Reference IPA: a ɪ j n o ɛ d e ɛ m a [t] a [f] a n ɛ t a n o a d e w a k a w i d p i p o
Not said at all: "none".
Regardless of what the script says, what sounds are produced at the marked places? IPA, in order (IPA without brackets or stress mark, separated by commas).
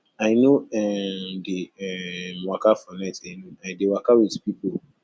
k, f